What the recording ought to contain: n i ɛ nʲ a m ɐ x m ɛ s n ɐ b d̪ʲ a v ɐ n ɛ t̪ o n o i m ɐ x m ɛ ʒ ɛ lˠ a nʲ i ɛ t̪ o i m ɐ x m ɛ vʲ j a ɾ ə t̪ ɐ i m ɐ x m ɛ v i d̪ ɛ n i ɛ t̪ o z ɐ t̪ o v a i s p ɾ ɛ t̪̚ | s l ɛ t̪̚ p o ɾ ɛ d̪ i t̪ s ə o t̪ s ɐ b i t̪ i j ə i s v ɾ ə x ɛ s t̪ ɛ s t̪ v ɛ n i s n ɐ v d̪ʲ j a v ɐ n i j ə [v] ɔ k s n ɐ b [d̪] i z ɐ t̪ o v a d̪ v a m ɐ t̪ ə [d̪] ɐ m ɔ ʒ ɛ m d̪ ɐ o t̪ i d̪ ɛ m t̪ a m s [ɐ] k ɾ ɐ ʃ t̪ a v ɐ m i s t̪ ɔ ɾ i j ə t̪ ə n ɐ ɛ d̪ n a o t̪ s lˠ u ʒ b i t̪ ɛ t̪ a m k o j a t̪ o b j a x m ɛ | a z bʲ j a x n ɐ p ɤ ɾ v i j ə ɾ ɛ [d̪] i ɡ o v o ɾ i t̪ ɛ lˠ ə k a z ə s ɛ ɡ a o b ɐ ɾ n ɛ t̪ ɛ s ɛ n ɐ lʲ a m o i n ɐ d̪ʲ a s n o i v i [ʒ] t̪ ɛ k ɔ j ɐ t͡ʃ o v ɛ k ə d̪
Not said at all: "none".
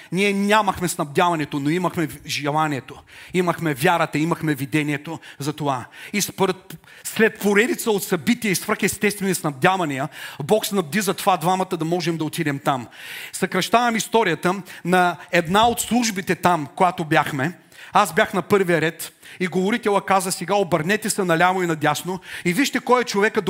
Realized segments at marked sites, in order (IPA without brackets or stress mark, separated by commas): b, d̪, d̪, ɐ, t̪, ʃ